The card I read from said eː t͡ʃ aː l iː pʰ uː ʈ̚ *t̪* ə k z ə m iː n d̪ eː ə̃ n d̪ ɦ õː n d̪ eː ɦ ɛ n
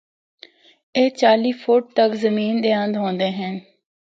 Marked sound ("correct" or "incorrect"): correct